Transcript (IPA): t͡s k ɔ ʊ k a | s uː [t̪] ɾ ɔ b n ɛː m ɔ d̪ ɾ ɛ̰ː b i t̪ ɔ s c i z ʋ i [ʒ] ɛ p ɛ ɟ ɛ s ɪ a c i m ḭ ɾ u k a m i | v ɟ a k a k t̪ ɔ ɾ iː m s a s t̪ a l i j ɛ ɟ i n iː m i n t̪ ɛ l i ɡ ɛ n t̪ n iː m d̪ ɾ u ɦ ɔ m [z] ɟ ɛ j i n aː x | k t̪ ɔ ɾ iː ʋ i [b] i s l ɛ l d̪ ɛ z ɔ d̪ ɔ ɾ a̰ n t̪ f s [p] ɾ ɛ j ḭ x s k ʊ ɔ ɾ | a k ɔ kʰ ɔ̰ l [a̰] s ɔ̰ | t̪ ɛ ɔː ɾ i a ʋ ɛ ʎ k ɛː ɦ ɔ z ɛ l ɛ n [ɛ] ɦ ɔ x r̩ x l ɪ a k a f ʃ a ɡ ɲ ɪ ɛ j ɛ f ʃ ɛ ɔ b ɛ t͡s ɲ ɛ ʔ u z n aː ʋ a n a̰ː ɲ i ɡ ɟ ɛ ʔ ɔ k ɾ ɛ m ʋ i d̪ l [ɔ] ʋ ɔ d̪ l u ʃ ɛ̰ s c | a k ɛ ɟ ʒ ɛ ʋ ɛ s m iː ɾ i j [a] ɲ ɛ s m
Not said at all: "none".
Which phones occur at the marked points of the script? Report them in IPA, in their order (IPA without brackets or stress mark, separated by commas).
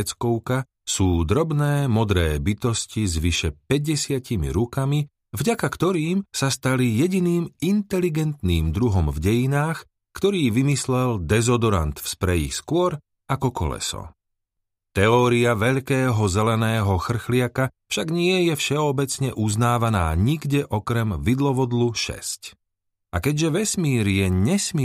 d̪, ʃ, v, m, p, ɛ̰, ɛː, ɔ, ɛ